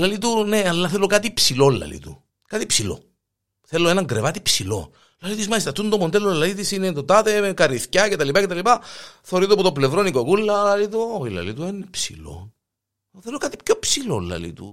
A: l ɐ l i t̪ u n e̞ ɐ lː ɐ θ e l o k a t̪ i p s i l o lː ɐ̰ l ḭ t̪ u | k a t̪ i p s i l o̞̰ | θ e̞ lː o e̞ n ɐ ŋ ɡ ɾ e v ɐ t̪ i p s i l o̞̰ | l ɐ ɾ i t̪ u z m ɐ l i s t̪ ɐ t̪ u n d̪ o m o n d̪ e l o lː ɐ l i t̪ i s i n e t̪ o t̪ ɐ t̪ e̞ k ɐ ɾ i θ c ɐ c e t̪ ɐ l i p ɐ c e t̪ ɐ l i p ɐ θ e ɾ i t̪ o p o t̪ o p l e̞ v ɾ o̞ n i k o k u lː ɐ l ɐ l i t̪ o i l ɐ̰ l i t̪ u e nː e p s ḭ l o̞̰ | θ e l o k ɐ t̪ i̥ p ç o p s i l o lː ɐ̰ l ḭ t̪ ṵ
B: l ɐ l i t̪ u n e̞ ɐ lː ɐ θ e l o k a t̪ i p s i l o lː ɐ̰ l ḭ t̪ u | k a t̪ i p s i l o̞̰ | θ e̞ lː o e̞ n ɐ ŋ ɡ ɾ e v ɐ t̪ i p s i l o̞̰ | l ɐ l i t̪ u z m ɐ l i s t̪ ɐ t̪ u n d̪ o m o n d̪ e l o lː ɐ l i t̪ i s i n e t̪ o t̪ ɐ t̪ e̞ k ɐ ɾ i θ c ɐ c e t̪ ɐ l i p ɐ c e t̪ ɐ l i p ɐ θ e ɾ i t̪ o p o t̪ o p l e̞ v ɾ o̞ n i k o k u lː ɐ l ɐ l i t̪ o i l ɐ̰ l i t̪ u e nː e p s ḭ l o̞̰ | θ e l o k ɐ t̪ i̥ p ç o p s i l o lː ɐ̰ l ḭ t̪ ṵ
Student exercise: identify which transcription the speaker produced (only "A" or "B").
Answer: B